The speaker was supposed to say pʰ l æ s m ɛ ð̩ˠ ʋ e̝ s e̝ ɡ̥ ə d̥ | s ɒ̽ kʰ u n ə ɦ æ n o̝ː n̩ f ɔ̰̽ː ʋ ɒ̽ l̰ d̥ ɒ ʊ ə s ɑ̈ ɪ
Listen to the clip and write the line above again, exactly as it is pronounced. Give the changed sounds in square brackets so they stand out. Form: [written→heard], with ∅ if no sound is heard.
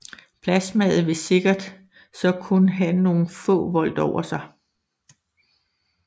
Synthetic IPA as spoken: pʰ l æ s m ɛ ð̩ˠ ʋ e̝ s e̝ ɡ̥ [ə→ɐ] d̥ | s ɒ̽ kʰ u n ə ɦ æ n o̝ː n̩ f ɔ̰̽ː ʋ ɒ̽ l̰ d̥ ɒ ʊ [ə→ɐ] s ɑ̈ ɪ

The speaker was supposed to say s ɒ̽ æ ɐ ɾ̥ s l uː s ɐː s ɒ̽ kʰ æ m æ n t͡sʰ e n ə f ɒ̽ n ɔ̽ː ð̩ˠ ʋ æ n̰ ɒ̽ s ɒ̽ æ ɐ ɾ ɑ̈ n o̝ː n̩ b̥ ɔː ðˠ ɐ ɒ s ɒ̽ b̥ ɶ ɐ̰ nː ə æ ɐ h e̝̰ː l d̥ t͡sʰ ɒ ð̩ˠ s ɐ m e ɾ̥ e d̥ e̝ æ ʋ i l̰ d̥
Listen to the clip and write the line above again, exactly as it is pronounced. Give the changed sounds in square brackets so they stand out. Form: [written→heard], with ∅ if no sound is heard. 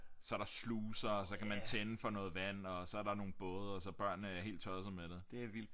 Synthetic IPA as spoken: s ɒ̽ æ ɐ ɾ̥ s l uː s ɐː s ɒ̽ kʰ æ m æ n t͡sʰ e n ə f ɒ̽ n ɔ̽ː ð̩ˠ ʋ æ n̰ ɒ̽ s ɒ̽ æ ɐ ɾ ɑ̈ n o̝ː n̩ b̥ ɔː ðˠ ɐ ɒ s ɒ̽ b̥ ɶ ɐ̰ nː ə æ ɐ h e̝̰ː l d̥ t͡sʰ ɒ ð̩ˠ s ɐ m e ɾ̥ e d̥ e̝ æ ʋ i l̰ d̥

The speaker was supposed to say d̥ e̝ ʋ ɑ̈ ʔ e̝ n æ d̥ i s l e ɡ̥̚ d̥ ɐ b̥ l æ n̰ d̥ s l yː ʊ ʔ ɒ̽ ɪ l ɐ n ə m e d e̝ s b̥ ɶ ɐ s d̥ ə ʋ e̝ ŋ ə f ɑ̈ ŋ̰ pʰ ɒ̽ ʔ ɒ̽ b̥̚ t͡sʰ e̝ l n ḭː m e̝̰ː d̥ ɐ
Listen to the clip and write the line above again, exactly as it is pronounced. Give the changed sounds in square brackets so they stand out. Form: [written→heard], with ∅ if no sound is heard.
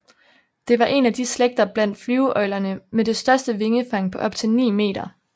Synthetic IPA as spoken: d̥ e̝ ʋ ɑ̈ ʔ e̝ n æ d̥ i s l e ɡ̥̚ d̥ ɐ b̥ l æ n̰ d̥ [s→f] l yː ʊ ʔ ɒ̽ ɪ l ɐ n ə m e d e̝ s [b̥→d̥] ɶ ɐ s d̥ ə ʋ e̝ ŋ ə f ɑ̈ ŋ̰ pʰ ɒ̽ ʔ ɒ̽ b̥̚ t͡sʰ e̝ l n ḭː m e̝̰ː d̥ ɐ

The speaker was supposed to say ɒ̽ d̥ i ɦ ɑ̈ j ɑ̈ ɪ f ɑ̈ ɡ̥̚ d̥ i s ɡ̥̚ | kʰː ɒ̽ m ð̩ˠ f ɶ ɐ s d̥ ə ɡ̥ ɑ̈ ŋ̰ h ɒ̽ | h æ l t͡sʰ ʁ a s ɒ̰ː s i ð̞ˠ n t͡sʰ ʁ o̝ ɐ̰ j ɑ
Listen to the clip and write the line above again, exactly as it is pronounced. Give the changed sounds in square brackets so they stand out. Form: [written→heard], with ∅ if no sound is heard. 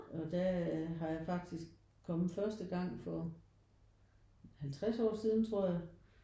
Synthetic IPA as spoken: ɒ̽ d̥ [i→æ] ɦ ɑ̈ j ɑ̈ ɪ f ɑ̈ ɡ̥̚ d̥ i s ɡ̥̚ | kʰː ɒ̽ m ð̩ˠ f ɶ ɐ s d̥ ə ɡ̥ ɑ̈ ŋ̰ [h→f] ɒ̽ | h æ l t͡sʰ ʁ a s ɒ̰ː s i ð̞ˠ n t͡sʰ ʁ o̝ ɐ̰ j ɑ

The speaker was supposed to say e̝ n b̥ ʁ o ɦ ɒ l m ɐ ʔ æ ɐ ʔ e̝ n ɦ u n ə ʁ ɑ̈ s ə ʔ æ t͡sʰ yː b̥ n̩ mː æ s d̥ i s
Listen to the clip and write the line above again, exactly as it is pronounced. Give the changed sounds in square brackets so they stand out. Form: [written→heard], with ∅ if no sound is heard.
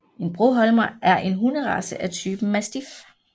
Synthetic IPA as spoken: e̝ n b̥ ʁ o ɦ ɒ l m ɐ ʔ æ ɐ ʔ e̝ n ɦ u n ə ʁ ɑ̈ s ə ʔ æ t͡sʰ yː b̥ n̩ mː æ s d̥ i [s→f]

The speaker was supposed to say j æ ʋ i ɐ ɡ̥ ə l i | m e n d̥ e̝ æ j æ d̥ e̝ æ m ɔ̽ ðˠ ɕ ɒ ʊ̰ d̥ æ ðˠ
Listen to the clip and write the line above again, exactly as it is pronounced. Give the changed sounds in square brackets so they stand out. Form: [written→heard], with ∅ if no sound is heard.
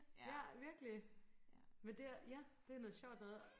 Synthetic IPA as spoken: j æ ʋ i ɐ ɡ̥ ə l i | m e n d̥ e̝ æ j æ d̥ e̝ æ [m→n] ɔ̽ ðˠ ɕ ɒ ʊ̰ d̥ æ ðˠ

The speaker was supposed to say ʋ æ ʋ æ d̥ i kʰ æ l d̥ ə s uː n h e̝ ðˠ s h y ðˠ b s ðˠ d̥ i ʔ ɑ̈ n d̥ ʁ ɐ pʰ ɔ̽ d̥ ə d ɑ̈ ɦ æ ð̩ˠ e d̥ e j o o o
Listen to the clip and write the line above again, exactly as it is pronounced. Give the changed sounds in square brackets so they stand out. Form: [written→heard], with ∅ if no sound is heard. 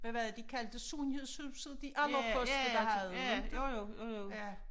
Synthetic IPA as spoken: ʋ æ ʋ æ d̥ i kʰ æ l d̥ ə s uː n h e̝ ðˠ s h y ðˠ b s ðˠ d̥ i ʔ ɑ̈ n d̥ ʁ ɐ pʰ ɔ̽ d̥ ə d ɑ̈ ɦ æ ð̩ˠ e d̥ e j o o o

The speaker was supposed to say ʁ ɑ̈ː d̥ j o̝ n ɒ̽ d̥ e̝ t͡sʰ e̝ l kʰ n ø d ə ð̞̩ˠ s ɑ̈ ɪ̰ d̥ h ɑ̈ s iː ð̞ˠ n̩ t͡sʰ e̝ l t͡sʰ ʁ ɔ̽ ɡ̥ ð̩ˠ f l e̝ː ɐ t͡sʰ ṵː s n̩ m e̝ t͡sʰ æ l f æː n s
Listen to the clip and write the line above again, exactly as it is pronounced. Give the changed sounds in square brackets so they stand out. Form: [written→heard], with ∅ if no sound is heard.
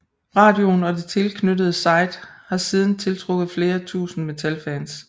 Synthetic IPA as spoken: ʁ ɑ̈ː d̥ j o̝ n ɒ̽ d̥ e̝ t͡sʰ e̝ l kʰ n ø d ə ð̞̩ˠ s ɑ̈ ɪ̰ d̥ h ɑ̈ s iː ð̞ˠ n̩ t͡sʰ e̝ l t͡sʰ ʁ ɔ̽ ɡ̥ ð̩ˠ f l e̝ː ɐ t͡sʰ ṵː s n̩ m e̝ t͡sʰ æ l f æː n s

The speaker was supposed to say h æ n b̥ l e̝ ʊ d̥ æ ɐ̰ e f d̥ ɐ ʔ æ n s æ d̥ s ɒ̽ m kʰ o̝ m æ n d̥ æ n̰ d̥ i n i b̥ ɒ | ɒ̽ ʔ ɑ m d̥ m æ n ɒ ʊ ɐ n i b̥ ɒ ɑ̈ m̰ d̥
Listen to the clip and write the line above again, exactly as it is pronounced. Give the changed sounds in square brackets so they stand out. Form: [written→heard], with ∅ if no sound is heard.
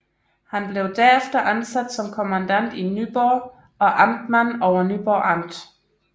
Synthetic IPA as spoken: h æ n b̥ l e̝ ʊ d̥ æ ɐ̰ e f d̥ ɐ ʔ æ n s æ d̥ s ɒ̽ m kʰ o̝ m æ n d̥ æ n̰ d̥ i n [i→y] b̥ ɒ | ɒ̽ ʔ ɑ m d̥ m æ n ɒ ʊ ɐ n [i→y] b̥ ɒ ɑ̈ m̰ d̥

